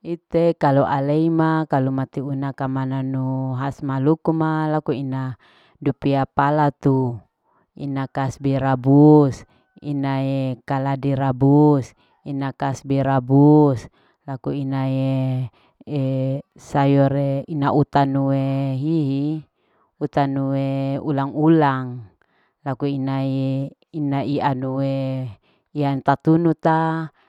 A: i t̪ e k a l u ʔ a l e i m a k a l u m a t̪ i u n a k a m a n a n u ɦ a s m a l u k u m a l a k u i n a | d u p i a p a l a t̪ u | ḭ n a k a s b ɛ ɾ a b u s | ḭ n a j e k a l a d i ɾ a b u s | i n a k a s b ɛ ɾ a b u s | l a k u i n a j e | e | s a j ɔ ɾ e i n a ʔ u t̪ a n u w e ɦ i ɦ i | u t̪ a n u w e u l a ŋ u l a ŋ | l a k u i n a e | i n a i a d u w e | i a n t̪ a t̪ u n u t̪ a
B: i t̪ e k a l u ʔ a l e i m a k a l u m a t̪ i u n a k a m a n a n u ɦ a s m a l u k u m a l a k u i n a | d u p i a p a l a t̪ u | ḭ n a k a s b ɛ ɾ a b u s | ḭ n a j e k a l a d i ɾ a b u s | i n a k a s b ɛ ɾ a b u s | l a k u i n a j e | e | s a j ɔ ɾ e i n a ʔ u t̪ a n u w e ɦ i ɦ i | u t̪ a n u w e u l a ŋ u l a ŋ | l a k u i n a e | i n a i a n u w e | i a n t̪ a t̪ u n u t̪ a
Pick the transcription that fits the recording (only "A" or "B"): B